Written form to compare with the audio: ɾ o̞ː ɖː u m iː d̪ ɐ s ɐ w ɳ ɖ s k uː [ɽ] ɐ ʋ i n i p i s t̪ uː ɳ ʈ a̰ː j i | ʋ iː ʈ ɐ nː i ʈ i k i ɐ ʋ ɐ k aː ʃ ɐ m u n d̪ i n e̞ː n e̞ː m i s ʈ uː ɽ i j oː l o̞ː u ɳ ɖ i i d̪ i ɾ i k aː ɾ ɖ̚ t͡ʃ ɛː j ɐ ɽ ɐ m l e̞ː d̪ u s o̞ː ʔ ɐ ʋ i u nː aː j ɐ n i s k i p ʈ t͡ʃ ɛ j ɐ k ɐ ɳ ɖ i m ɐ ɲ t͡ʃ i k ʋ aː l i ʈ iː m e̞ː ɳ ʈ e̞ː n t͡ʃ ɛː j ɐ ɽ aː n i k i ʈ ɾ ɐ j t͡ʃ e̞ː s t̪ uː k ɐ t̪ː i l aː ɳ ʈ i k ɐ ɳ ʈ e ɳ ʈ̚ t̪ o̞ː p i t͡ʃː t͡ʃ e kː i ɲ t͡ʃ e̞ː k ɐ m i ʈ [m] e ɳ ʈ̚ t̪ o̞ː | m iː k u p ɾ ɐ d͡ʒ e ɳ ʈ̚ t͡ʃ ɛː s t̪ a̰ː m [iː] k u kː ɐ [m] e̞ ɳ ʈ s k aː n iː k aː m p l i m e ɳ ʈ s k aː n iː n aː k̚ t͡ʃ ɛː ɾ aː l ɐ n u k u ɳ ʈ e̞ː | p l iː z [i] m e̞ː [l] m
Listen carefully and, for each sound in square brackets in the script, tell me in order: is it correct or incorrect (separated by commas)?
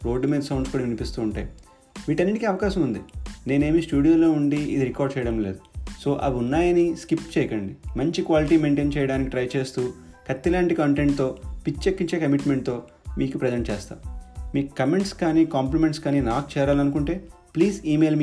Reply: correct, correct, correct, correct, incorrect, correct